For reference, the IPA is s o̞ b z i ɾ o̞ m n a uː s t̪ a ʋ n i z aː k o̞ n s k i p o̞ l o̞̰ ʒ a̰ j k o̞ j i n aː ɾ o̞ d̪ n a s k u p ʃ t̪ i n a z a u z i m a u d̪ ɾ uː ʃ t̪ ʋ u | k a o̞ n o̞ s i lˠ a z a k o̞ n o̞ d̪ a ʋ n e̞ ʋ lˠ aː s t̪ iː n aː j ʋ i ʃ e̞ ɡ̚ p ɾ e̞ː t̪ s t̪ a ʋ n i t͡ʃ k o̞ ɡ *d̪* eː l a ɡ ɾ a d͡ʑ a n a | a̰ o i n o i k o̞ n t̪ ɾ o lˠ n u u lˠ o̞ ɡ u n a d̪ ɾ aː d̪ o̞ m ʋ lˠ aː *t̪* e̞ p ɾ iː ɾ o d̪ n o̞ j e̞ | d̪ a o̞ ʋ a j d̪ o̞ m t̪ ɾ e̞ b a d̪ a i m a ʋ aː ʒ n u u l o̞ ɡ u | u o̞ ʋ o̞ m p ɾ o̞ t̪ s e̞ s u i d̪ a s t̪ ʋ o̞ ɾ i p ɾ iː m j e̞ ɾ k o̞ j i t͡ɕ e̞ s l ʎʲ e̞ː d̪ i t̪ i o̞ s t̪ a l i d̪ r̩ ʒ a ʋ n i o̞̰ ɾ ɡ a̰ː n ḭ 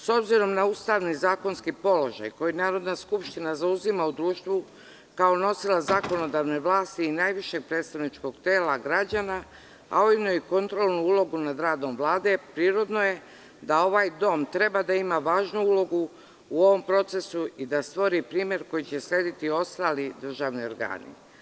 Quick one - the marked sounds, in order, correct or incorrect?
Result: incorrect: t̪, incorrect: d̪

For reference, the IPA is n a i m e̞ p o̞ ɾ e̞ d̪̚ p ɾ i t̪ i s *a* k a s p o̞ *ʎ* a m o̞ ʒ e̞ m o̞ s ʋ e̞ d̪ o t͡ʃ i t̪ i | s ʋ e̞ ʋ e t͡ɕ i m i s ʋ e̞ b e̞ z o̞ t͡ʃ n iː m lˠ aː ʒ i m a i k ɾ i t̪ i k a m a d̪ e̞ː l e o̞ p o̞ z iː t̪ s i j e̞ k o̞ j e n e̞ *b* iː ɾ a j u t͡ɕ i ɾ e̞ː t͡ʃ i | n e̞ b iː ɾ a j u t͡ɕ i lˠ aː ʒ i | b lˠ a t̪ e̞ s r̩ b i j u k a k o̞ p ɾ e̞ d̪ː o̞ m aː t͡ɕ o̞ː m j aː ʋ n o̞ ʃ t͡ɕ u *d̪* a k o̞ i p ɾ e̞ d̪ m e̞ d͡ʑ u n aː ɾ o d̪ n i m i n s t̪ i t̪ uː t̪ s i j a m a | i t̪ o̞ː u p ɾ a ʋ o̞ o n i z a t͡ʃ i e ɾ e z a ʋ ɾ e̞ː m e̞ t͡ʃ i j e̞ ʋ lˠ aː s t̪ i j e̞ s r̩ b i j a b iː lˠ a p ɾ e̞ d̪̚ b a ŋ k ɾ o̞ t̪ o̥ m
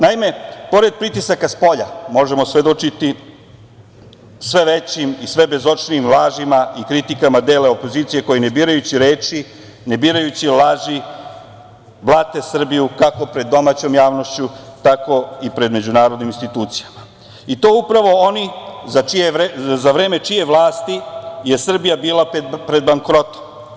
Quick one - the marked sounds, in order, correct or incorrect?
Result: correct, correct, correct, incorrect: t̪

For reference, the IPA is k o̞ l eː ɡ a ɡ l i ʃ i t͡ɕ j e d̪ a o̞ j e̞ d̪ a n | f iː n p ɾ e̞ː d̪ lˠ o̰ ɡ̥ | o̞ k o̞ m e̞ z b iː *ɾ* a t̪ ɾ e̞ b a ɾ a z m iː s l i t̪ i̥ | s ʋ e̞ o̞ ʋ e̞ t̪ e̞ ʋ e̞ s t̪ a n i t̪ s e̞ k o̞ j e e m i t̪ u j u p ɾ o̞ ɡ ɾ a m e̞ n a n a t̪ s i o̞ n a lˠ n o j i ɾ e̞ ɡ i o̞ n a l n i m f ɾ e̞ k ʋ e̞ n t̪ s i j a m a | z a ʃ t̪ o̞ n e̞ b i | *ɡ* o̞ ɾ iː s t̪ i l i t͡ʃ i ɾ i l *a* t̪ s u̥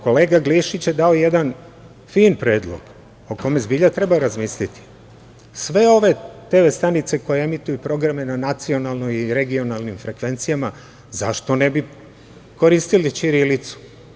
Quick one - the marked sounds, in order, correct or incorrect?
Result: incorrect: ʎ, incorrect: k, incorrect: i

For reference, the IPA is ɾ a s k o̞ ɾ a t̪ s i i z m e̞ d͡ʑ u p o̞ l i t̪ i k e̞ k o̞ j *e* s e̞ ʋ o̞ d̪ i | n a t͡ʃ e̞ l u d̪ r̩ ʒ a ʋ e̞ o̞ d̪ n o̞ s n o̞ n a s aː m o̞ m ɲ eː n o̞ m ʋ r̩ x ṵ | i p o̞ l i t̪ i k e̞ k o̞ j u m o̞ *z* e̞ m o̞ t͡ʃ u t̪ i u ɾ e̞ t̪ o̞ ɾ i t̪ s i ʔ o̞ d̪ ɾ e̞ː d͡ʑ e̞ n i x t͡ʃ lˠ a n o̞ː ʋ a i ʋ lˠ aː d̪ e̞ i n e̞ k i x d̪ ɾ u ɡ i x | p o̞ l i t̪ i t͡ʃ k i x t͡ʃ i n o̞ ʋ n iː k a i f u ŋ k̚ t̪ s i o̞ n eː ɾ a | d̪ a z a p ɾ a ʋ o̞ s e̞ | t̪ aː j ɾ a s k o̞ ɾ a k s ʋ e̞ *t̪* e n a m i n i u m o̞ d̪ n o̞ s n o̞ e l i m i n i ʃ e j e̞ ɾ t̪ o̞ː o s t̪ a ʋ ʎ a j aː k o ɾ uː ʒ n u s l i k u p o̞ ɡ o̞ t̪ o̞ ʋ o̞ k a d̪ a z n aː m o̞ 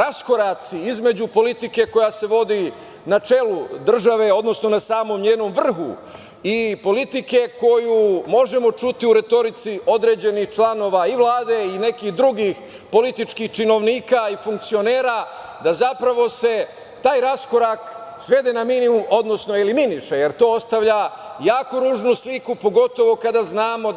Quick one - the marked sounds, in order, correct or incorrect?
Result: incorrect: a, incorrect: ʒ, incorrect: d̪

